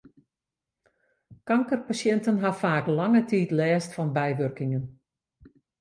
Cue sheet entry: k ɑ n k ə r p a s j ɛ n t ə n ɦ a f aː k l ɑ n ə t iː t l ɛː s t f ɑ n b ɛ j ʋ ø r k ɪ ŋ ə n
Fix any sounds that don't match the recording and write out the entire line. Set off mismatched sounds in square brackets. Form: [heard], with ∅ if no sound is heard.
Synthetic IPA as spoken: k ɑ [ŋ] k ə r p a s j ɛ n t ə n ɦ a f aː k l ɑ [ŋ] ə t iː t l ɛː s t f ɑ n b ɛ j ʋ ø r k ɪ ŋ ə n